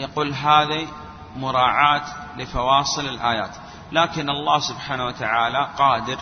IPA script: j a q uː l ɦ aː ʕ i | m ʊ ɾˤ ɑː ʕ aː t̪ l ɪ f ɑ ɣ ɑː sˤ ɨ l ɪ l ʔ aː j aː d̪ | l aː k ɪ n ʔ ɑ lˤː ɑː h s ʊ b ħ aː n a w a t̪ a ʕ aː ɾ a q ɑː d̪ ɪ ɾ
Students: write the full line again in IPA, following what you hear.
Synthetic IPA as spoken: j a q uː l ɦ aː ð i | m ʊ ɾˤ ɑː ʕ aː t̪ l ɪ f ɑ w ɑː sˤ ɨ l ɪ l ʔ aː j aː t̪ | l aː k ɪ n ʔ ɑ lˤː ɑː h s ʊ b ħ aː n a w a t̪ a ʕ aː l a q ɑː d̪ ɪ ɾ